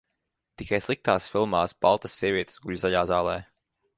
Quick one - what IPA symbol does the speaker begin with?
t̪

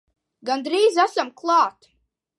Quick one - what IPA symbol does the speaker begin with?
ɡ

